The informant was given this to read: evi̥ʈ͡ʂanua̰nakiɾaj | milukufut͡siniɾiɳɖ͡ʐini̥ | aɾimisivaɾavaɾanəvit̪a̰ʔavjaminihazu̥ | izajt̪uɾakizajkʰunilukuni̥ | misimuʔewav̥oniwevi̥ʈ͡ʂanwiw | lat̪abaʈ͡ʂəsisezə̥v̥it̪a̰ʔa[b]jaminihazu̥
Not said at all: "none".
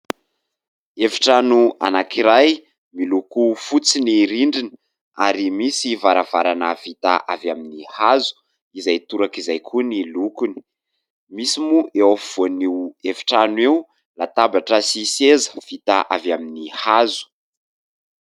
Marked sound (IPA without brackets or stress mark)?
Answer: v